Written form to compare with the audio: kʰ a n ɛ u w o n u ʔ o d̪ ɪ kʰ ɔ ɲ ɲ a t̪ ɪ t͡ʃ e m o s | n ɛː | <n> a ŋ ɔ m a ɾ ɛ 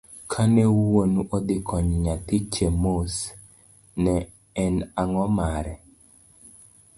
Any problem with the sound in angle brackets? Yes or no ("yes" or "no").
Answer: no